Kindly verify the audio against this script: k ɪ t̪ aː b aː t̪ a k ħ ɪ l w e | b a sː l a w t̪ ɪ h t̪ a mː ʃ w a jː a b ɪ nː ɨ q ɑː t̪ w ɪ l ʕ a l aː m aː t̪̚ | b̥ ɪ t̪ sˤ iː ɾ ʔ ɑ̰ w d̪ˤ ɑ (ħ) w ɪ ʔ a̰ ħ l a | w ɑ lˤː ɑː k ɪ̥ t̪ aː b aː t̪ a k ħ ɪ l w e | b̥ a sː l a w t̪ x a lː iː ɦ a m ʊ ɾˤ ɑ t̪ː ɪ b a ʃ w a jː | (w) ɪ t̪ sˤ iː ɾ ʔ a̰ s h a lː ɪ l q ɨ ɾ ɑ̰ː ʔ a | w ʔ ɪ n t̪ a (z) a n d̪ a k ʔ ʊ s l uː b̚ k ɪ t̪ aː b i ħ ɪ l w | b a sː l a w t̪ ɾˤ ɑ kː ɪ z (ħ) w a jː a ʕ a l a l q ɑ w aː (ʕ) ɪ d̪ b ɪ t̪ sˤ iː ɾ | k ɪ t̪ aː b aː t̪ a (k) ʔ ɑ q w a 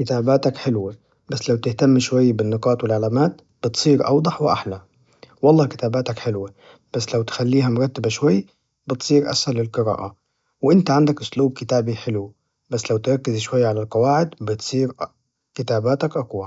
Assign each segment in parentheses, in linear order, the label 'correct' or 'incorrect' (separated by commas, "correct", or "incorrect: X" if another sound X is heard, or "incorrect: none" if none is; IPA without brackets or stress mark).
correct, incorrect: b, incorrect: ʕ, incorrect: ʃ, correct, correct